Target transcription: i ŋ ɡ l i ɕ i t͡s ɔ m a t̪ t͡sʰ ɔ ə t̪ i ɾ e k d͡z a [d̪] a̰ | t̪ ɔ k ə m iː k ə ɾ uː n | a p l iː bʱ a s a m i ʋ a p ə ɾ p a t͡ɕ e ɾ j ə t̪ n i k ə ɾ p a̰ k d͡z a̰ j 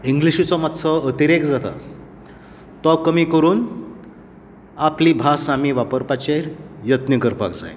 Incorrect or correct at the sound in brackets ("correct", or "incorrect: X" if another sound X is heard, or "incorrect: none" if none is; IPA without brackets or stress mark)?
incorrect: t̪